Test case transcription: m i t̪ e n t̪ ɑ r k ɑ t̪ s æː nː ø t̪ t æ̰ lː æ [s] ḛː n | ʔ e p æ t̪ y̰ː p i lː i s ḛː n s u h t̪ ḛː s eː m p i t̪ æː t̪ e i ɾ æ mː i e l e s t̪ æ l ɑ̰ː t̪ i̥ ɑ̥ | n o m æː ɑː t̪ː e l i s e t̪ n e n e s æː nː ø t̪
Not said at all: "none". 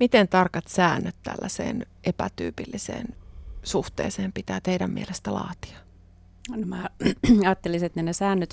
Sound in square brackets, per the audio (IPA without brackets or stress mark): s